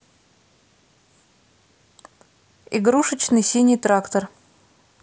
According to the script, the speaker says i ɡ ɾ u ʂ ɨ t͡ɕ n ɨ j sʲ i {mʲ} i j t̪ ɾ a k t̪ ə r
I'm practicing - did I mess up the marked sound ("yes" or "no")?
yes